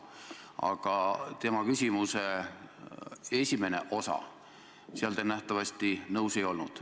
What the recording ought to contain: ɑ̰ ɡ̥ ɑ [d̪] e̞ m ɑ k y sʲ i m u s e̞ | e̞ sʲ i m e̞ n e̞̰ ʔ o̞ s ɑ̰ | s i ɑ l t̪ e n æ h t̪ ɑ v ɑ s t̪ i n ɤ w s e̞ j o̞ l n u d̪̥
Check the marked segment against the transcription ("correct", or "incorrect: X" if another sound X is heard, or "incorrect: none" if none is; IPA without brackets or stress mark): incorrect: t̪